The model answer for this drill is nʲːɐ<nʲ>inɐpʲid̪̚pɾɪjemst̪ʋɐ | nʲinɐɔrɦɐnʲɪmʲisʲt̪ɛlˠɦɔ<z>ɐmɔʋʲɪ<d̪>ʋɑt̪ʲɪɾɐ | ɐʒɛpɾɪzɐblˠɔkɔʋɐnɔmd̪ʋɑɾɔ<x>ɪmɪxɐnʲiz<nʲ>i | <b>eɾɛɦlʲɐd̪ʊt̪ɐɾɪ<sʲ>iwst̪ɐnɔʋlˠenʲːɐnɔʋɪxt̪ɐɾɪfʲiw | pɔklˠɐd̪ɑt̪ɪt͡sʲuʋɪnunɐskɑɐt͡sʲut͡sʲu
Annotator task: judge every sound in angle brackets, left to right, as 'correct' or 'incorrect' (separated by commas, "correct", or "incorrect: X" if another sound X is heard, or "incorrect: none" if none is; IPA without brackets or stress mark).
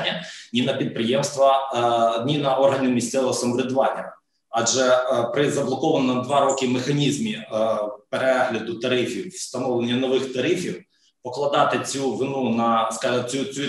correct, incorrect: s, correct, incorrect: k, incorrect: mʲ, incorrect: p, incorrect: fʲ